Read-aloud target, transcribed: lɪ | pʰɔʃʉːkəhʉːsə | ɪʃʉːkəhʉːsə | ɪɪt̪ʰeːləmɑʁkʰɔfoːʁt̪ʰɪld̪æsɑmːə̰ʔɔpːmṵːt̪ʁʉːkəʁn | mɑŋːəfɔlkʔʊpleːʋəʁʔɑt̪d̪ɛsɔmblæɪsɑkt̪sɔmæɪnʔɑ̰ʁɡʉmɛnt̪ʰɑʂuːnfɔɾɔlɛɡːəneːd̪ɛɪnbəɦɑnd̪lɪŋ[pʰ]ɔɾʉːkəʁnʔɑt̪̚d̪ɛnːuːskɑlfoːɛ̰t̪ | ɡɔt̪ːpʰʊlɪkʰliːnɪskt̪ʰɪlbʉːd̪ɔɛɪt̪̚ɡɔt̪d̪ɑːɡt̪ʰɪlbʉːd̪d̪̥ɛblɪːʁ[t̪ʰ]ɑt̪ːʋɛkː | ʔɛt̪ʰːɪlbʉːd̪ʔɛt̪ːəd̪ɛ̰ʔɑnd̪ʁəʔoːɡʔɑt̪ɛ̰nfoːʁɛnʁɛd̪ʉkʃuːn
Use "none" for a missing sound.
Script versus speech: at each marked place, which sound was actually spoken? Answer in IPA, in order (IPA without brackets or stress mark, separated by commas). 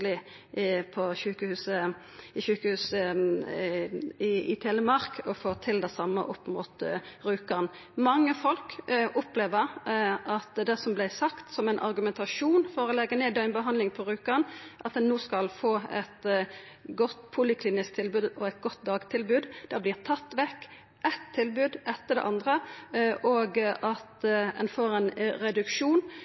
pʰ, t̪ʰ